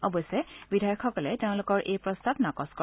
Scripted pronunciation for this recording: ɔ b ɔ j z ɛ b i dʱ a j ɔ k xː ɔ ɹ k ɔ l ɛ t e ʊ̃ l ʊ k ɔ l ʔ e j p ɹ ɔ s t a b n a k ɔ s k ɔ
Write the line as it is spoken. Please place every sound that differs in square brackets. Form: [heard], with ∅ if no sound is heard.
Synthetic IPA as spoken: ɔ b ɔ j [s] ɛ b i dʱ a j ɔ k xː ɔ [∅] k ɔ l ɛ t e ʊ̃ l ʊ k ɔ [ɹ] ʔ e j p ɹ ɔ s t a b n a k ɔ s k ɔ